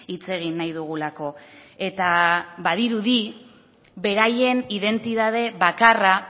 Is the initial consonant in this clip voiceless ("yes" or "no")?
yes